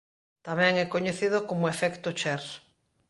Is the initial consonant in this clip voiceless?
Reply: yes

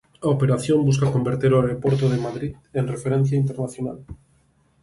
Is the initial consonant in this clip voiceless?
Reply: yes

